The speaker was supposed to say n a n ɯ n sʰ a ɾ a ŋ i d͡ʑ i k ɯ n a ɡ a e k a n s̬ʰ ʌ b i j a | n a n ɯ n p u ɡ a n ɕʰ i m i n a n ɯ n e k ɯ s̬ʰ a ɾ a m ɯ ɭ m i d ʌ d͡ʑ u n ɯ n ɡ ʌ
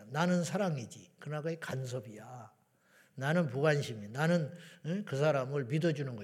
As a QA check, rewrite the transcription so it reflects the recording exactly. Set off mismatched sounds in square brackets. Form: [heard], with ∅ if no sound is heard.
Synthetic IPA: n a n ɯ n sʰ a ɾ a ŋ i d͡ʑ i k ɯ n a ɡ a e k a n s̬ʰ ʌ b i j a | n a n ɯ n p u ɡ a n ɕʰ i m i n a n ɯ n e k ɯ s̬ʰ a ɾ a m ɯ ɭ m i d ʌ d͡ʑ u n ɯ n ɡ ʌ